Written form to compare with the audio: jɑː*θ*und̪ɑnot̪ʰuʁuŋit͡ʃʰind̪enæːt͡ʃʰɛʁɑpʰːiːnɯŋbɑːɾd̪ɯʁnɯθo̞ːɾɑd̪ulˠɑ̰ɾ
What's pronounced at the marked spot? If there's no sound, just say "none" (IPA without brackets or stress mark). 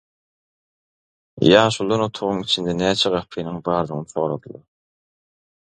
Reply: ʃ